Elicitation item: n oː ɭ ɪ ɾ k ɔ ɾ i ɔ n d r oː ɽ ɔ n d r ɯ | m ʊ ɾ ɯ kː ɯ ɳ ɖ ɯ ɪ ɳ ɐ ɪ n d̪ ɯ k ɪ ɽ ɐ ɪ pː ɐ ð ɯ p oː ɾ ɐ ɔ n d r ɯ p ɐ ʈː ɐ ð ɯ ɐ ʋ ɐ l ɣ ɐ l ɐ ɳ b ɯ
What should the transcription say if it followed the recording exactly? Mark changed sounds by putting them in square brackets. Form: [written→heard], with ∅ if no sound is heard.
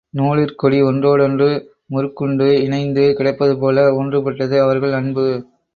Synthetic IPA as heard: n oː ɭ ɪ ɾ k ɔ [ɾ→ɽ] i ɔ n d r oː ɽ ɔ n d r ɯ | m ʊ ɾ ɯ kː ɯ ɳ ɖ ɯ ɪ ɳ ɐ ɪ n d̪ ɯ k ɪ ɽ ɐ ɪ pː ɐ ð ɯ p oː [ɾ→l] ɐ ɔ n d r ɯ p ɐ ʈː ɐ ð ɯ ɐ ʋ ɐ [l→ɾ] ɣ ɐ [l→ɭ] ɐ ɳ b ɯ